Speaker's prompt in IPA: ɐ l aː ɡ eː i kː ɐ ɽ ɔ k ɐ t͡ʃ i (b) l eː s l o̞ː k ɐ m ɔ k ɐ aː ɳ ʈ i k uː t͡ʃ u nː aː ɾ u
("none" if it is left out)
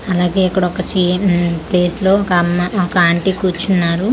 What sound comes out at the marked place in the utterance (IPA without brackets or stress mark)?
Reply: p